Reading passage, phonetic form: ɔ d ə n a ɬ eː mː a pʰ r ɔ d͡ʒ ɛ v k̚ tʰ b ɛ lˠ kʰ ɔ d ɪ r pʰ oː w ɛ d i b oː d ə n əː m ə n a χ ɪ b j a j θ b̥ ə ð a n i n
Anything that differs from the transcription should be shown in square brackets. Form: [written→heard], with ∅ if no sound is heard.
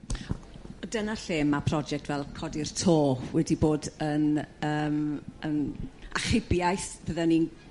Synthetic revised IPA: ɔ d ə n a ɬ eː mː a pʰ r ɔ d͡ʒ ɛ [v→∅] k̚ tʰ [b→v] ɛ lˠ kʰ ɔ d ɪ r [pʰ→tʰ] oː w ɛ d i b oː d ə n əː m ə n a χ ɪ b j a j θ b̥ ə ð a n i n